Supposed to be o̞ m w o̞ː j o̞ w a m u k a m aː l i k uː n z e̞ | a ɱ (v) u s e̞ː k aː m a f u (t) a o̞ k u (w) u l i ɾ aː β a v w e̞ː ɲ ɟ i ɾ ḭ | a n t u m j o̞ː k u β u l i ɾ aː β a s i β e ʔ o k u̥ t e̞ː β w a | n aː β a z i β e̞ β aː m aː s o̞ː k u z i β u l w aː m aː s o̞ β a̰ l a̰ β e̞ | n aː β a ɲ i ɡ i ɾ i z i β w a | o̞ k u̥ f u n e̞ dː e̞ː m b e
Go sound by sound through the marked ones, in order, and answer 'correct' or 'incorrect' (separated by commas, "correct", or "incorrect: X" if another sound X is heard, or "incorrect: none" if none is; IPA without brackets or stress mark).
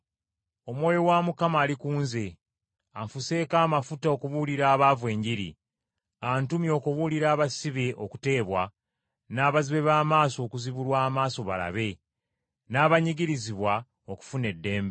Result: incorrect: f, correct, incorrect: β